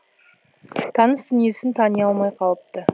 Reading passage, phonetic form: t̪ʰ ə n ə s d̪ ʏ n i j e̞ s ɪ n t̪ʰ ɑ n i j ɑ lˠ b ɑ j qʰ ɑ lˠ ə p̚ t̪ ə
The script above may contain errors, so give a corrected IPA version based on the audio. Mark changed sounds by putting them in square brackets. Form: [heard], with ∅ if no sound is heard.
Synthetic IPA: t̪ʰ [ɑ] n ə s d̪ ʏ n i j e̞ s ɪ n t̪ʰ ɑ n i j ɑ lˠ [m] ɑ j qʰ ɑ lˠ ə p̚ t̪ ə